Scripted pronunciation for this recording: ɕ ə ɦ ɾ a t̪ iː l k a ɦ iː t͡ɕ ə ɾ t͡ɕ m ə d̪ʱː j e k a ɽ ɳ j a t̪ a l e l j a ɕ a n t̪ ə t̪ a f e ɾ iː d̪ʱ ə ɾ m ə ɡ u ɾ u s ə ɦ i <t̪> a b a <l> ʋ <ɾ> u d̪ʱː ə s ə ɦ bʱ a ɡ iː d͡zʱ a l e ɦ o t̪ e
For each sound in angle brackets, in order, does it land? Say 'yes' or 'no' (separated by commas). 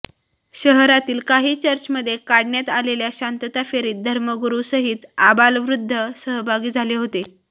yes, yes, yes